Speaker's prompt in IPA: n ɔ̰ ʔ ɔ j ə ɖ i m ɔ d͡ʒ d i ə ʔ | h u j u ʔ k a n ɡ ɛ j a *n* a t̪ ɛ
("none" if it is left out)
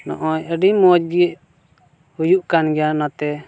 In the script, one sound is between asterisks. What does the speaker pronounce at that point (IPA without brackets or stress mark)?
n